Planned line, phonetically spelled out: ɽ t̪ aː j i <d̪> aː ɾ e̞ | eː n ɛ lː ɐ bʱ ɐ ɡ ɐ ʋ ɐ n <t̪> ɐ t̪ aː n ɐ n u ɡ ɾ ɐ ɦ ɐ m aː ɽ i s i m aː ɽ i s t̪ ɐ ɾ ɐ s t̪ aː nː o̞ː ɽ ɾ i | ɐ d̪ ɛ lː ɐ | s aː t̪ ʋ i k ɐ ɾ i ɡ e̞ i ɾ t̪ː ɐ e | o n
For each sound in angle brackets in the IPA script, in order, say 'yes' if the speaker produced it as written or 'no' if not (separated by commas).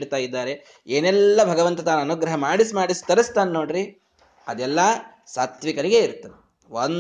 no, yes